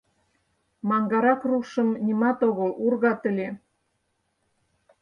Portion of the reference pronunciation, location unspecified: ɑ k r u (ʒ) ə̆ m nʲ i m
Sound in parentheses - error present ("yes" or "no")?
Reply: yes